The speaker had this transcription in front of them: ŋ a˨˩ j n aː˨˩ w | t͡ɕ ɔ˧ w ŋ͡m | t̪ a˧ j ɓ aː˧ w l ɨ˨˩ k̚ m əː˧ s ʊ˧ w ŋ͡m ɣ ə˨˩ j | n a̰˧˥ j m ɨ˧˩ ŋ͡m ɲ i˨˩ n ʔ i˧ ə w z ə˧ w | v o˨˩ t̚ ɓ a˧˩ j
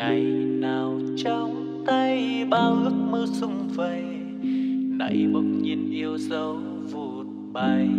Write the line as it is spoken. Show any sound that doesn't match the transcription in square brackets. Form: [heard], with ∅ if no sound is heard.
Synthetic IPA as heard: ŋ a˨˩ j n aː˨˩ w | t͡ɕ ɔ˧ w ŋ͡m | t̪ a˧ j ɓ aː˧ w l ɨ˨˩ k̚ m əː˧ s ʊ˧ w ŋ͡m [v] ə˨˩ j | n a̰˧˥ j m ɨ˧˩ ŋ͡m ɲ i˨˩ n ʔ i˧ ə w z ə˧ w | v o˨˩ t̚ ɓ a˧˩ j

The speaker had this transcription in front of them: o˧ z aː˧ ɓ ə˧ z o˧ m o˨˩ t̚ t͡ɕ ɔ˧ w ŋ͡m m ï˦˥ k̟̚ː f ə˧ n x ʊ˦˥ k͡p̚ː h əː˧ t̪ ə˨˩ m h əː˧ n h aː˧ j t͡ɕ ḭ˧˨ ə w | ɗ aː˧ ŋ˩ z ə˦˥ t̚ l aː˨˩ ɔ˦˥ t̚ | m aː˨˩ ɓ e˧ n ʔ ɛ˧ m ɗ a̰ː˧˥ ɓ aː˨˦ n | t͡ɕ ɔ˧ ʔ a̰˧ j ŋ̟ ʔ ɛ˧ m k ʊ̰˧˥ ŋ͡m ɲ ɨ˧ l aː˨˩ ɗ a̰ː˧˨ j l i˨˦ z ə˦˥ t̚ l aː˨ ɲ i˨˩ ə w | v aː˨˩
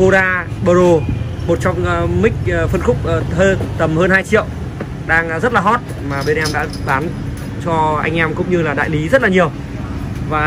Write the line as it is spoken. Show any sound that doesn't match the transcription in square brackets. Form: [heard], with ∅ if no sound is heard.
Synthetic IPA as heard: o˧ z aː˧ ɓ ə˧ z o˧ m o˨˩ t̚ t͡ɕ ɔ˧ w ŋ͡m m ï˦˥ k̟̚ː f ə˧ n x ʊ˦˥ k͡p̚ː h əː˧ t̪ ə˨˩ m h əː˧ n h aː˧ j t͡ɕ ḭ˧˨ ə w | ɗ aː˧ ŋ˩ z ə˦˥ t̚ l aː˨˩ ɔ˦˥ t̚ | m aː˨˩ ɓ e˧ n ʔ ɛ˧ m ɗ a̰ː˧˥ ɓ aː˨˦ n | t͡ɕ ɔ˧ ʔ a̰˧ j ŋ̟ ʔ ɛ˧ m k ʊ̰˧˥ ŋ͡m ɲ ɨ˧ l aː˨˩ ɗ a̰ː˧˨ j l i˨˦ z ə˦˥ t̚ l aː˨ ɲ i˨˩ ə w | v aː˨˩

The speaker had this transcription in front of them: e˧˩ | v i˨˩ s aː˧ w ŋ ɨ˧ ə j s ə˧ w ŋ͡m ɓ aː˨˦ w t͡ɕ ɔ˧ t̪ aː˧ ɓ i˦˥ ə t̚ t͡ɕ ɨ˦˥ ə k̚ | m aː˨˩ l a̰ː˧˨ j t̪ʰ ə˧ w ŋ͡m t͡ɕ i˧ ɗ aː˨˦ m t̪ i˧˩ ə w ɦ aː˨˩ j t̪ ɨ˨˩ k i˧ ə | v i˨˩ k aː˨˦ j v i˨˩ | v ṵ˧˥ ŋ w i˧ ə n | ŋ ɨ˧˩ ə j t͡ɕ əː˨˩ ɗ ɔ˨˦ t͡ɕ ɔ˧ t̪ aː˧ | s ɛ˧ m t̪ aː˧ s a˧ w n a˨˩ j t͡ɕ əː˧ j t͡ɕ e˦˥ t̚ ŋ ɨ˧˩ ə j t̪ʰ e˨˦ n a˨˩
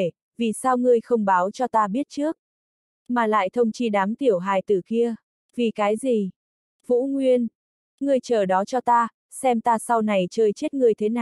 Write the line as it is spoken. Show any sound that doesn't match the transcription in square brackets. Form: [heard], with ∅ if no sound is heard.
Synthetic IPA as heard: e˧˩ | v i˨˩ s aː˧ w ŋ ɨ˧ ə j [x] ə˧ w ŋ͡m ɓ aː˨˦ w t͡ɕ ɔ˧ t̪ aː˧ ɓ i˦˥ ə t̚ t͡ɕ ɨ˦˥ ə k̚ | m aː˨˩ l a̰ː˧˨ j t̪ʰ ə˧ w ŋ͡m t͡ɕ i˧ ɗ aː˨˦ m t̪ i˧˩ ə w ɦ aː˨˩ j t̪ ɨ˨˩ k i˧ ə | v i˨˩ k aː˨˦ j [z] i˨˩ | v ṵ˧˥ ŋ w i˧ ə n | ŋ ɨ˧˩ ə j t͡ɕ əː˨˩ ɗ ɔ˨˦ t͡ɕ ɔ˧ t̪ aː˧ | s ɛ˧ m t̪ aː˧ s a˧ w n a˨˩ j t͡ɕ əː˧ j t͡ɕ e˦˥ t̚ ŋ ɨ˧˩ ə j t̪ʰ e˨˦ n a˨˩

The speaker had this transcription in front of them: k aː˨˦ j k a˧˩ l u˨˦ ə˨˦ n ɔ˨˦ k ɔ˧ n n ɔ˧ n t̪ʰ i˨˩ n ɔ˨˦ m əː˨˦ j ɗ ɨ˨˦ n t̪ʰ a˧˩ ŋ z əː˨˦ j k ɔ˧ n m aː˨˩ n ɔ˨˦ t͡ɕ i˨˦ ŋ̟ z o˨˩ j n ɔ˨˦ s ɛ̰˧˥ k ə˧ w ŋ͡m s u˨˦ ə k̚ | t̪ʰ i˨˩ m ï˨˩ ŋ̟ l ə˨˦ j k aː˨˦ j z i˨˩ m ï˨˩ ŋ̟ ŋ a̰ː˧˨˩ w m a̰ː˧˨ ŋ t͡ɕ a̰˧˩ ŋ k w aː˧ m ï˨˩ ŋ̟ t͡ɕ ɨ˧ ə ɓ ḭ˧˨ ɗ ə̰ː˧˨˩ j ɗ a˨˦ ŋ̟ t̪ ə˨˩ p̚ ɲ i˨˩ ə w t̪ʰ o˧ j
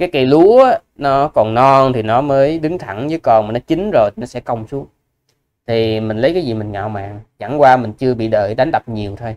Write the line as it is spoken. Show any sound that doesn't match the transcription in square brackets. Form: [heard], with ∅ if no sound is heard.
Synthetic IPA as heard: k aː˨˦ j k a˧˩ l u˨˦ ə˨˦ n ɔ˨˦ k [ɔ˨˩] n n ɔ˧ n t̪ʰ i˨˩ n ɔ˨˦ m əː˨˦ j ɗ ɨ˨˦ [ŋ] t̪ʰ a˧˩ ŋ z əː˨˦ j k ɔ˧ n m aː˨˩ n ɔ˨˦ t͡ɕ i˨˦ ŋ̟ z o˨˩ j n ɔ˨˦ s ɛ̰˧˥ k ə˧ w ŋ͡m s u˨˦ ə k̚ | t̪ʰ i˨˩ m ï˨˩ ŋ̟ l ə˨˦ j k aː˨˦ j z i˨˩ m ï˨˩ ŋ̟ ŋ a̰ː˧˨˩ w m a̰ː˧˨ ŋ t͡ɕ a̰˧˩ ŋ k w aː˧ m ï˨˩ ŋ̟ t͡ɕ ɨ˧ ə ɓ ḭ˧˨ ɗ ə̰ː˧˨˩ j ɗ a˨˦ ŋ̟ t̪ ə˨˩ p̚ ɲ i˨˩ ə w t̪ʰ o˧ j

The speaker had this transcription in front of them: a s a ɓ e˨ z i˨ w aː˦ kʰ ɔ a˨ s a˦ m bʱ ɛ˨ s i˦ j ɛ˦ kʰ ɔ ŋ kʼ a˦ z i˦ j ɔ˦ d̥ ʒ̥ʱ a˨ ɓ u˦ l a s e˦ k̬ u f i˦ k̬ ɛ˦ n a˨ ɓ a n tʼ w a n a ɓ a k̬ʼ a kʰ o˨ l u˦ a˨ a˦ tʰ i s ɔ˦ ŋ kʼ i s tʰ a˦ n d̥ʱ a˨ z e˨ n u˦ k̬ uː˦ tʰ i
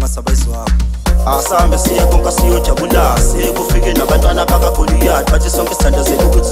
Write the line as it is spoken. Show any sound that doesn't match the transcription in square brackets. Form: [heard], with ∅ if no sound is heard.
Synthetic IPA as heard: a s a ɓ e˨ z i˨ w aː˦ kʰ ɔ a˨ s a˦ m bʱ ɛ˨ s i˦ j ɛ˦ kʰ ɔ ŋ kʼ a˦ [s] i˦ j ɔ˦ d̥ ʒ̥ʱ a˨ ɓ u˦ l a s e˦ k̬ u f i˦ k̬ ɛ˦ n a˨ ɓ a n tʼ w a n a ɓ a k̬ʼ a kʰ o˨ l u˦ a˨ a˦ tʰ i s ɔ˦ ŋ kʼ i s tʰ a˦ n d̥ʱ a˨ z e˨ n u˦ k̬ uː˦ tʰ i

